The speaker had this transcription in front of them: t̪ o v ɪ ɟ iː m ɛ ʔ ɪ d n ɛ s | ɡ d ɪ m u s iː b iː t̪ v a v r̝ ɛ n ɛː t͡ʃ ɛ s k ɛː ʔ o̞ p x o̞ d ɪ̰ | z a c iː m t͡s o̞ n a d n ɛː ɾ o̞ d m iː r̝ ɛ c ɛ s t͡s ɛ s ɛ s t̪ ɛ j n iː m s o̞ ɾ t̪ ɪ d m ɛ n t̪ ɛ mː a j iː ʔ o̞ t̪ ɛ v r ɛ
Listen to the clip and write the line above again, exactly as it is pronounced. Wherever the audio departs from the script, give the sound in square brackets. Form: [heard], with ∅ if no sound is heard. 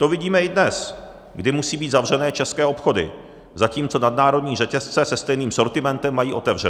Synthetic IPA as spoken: t̪ o v ɪ ɟ iː m ɛ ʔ ɪ d n ɛ s | ɡ d ɪ m u s iː b iː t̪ [z] a v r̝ ɛ n ɛː t͡ʃ ɛ s k ɛː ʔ o̞ p x o̞ d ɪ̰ | z a c iː m t͡s o̞ n a d n [aː] ɾ o̞ d [ɲ] iː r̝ ɛ c ɛ s t͡s ɛ s ɛ s t̪ ɛ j n iː m s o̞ ɾ t̪ ɪ [∅] m ɛ n t̪ ɛ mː a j iː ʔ o̞ t̪ ɛ v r ɛ